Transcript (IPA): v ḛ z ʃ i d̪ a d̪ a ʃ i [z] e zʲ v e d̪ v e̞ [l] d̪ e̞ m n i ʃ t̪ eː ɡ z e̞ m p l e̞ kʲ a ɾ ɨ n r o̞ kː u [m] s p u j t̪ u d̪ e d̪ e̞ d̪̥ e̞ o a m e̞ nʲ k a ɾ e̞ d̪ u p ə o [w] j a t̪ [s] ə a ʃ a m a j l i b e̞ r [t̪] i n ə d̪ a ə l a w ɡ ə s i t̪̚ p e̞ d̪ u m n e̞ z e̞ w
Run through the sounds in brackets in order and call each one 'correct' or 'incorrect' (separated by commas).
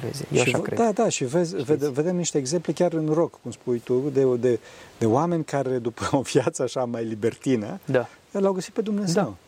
incorrect, incorrect, correct, incorrect, correct, correct